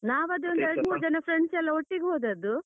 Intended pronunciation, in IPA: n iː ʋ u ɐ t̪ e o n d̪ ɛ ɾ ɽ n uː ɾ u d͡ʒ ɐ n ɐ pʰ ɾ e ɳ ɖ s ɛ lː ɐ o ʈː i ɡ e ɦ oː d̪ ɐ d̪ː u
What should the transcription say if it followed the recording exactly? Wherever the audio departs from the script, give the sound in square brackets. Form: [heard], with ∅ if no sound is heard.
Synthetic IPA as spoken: n [aː] ʋ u ɐ [d̪] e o n d̪ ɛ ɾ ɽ [m] uː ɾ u d͡ʒ ɐ n ɐ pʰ ɾ e ɳ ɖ s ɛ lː ɐ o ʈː i ɡ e ɦ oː d̪ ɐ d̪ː u